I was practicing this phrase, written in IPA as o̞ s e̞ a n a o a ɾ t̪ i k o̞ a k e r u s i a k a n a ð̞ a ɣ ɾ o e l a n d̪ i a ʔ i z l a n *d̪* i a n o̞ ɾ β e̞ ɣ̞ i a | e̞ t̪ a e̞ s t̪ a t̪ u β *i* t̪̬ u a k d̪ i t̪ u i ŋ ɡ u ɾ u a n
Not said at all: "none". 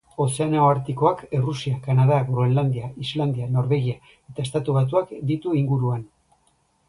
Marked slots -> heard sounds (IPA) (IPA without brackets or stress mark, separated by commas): d̪, a